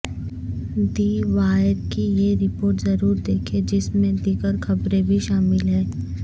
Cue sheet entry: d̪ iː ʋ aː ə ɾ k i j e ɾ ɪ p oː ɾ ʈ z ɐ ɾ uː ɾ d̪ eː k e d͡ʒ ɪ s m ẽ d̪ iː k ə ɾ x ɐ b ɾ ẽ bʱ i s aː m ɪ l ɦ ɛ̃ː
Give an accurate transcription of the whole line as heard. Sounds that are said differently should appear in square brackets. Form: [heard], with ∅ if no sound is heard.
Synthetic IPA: d̪ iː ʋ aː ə ɾ k i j e ɾ ɪ p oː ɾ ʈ z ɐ ɾ uː ɾ d̪ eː [kʰ] e d͡ʒ ɪ s m ẽ d̪ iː [ɡ] ə ɾ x ɐ b ɾ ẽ bʱ i [ʃ] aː m ɪ l ɦ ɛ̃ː